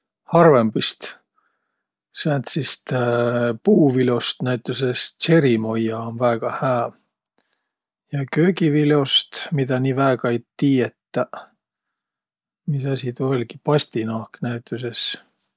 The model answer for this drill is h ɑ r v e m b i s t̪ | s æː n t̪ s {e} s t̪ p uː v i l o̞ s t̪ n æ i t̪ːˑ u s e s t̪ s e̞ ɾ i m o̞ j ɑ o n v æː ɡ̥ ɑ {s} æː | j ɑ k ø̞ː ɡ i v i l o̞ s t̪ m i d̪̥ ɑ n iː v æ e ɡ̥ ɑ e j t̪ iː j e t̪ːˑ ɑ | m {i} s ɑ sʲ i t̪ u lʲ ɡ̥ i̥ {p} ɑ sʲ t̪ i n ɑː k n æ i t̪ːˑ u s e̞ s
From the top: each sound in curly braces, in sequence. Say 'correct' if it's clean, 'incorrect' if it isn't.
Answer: incorrect: i, incorrect: h, correct, correct

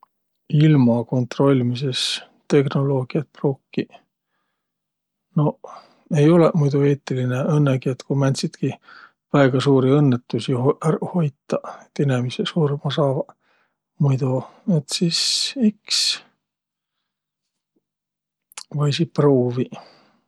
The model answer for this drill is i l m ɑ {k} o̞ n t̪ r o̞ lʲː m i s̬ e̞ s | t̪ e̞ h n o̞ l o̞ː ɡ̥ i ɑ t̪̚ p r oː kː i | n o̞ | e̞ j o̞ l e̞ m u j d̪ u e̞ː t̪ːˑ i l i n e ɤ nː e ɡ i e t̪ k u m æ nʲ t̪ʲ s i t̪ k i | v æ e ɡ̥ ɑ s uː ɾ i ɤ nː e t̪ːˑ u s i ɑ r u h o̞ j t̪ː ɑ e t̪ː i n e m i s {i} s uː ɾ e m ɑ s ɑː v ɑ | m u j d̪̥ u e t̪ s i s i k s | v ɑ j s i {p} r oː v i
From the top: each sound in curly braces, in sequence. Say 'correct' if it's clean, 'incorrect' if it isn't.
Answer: correct, incorrect: e, correct

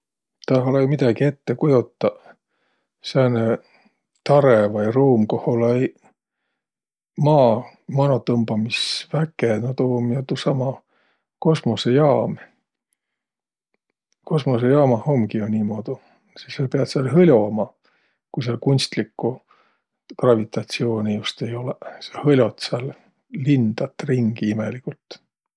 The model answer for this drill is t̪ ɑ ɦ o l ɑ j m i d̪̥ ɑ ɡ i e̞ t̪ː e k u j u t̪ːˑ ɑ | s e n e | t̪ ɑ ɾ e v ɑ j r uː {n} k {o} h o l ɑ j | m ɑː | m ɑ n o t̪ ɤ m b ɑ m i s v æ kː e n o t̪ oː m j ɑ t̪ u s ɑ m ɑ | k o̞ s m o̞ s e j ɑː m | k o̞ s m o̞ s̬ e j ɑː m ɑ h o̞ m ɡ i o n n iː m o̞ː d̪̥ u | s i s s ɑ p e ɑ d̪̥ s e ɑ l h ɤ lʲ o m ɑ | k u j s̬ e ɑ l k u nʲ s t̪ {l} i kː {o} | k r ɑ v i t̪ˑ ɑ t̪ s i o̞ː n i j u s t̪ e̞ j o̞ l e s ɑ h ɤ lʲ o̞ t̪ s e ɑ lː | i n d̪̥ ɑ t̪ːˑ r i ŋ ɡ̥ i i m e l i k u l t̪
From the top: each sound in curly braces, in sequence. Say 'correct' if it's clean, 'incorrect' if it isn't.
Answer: incorrect: m, correct, correct, incorrect: u

